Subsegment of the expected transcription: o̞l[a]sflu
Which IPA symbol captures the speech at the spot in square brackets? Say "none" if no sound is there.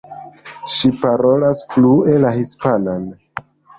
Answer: a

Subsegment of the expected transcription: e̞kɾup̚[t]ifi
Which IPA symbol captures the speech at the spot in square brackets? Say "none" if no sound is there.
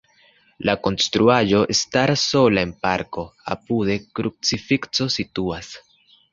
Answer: t͡s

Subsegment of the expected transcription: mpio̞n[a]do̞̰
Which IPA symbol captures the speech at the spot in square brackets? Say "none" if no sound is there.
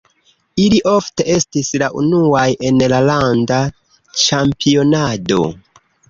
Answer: a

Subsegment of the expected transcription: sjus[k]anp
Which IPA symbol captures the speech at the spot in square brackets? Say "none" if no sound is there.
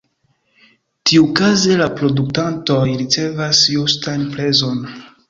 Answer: t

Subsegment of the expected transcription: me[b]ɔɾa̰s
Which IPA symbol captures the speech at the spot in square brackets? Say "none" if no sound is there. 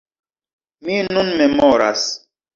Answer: m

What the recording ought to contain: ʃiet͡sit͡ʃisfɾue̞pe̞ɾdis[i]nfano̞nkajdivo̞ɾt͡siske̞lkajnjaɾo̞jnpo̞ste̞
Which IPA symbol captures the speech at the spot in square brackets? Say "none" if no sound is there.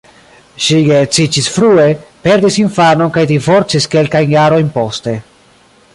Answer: i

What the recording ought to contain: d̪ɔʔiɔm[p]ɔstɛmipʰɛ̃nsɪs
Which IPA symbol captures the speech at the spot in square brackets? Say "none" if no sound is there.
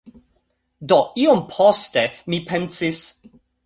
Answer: pʰ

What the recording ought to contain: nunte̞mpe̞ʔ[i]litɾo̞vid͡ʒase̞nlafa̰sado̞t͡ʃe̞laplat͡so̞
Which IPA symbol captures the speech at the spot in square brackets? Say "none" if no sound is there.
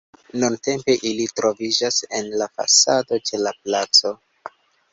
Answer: i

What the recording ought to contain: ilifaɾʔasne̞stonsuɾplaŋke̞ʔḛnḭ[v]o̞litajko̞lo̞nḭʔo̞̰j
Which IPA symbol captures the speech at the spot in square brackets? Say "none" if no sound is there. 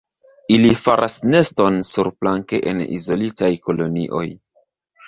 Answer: z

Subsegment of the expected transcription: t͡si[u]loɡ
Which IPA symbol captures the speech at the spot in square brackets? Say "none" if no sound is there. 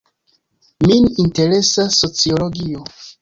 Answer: o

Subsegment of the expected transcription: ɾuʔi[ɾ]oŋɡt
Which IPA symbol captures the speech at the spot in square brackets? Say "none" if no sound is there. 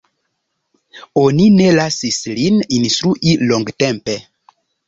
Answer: l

